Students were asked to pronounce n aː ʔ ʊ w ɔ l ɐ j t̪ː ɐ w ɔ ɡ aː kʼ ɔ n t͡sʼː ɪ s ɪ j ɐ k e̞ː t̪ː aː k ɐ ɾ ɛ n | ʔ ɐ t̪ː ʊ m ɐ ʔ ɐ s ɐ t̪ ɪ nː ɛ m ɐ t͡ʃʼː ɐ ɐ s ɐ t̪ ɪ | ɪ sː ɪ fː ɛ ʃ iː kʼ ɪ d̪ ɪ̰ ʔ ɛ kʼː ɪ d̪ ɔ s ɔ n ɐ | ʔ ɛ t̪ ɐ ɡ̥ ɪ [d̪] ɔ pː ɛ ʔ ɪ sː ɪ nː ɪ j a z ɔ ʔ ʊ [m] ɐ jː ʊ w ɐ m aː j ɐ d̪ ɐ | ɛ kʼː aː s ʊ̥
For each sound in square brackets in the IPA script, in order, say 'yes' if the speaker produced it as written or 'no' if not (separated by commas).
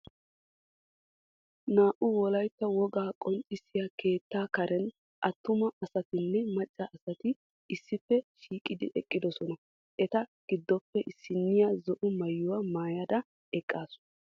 no, yes